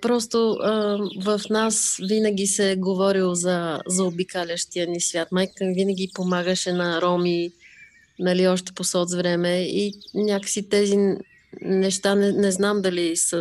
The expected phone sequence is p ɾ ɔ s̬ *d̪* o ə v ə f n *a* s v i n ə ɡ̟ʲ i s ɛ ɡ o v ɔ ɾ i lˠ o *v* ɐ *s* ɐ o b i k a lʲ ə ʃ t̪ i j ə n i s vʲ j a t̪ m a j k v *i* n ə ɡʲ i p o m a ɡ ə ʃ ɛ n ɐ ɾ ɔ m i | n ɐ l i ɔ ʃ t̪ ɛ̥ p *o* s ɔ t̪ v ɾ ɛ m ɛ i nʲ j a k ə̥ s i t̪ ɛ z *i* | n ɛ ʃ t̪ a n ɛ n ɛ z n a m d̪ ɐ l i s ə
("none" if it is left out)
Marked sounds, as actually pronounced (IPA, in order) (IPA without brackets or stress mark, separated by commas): t̪, a, z, z, i, o, i